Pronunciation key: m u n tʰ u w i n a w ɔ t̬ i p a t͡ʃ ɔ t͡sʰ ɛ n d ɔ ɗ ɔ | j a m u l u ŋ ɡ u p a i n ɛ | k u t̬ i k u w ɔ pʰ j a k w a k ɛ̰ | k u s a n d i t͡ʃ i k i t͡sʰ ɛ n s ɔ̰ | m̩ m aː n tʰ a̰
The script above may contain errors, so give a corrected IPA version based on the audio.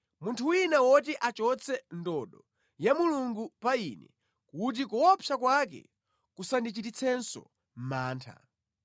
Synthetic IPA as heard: m u n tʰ u w i n a w ɔ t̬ i ʔ a t͡ʃ ɔ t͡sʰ ɛ n d ɔ ɗ ɔ | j a m u l u ŋ ɡ u p a i n ɛ | k u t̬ i k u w ɔ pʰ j a k w a k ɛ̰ | k u s a n d i t͡ʃ i t i t͡sʰ ɛ n s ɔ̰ | m̩ m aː n tʰ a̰